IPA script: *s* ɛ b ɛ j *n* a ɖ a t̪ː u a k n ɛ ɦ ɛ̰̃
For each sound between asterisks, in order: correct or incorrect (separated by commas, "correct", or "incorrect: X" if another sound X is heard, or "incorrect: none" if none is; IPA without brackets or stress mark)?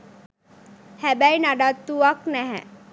incorrect: h, correct